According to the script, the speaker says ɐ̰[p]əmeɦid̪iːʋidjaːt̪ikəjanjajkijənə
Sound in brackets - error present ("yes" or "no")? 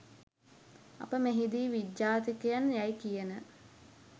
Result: no